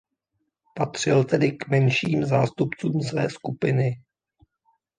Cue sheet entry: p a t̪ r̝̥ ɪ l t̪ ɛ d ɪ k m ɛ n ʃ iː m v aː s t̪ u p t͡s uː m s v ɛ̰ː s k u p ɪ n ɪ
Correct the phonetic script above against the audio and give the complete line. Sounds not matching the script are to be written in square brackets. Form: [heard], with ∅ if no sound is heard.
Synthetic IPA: p a t̪ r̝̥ ɪ l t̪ ɛ d ɪ k m ɛ n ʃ iː m [z] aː s t̪ u p t͡s uː m s v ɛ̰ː s k u p ɪ n ɪ